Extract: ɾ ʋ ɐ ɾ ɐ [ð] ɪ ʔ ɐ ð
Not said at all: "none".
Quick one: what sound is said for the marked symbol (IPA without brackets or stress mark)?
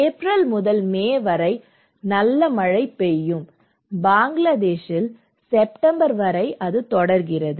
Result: none